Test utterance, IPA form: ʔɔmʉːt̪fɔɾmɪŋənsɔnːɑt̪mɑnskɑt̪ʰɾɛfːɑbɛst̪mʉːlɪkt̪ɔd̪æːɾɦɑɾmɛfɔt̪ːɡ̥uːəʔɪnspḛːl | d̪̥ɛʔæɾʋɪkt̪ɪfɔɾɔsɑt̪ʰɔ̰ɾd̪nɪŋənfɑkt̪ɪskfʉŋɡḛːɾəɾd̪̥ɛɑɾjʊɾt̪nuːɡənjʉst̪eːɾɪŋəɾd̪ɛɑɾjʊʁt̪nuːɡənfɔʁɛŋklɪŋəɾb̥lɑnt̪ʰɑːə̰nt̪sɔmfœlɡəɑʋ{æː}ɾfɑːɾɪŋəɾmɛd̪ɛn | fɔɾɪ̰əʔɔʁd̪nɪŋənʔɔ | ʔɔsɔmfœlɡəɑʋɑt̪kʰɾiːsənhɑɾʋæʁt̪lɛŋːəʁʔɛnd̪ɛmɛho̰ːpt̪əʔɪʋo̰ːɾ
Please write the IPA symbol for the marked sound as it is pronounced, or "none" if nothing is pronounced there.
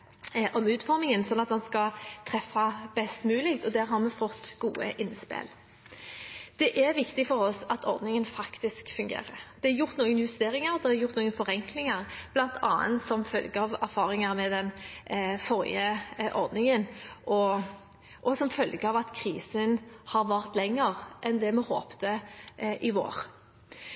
æ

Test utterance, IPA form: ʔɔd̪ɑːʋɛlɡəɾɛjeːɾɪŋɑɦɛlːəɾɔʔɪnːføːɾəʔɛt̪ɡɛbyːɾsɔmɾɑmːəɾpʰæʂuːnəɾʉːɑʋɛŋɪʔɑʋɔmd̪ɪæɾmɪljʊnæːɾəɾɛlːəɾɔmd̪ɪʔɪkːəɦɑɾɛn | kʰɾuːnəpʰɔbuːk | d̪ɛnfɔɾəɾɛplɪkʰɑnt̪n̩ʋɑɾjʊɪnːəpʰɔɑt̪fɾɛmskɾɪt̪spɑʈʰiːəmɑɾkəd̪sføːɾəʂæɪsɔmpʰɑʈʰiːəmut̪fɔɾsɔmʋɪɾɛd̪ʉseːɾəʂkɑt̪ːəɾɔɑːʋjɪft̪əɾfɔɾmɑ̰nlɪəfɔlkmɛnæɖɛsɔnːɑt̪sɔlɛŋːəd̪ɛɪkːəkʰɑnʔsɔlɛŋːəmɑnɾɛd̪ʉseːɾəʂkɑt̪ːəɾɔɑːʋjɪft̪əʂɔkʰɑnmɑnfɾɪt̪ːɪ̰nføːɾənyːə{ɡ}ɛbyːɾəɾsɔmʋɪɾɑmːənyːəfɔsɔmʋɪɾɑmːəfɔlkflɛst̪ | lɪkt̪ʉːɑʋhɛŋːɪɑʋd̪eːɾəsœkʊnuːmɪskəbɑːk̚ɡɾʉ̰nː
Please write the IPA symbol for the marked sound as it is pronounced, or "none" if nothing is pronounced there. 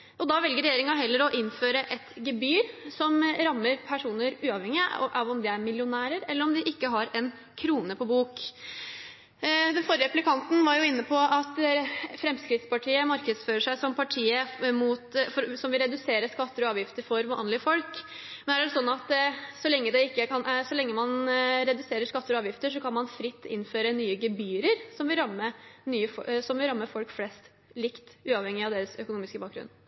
ɡ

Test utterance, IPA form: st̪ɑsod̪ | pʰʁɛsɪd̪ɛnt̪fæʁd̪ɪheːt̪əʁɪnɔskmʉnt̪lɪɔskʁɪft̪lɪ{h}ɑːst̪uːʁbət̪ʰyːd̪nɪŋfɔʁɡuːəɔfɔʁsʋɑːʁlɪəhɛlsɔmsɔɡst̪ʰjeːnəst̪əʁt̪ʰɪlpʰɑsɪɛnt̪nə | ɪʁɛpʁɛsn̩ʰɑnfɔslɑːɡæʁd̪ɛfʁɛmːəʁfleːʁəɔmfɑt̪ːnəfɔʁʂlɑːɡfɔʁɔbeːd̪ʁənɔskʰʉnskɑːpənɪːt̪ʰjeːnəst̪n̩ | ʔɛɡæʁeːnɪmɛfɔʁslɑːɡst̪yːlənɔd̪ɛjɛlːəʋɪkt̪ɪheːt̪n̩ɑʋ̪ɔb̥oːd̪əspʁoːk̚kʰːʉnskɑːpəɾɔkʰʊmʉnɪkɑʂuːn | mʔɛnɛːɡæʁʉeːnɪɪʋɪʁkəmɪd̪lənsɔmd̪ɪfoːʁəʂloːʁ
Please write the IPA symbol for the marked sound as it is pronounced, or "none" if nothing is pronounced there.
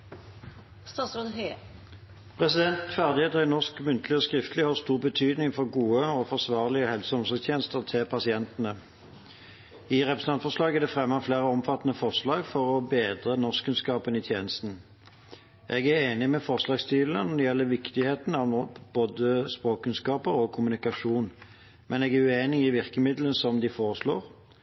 h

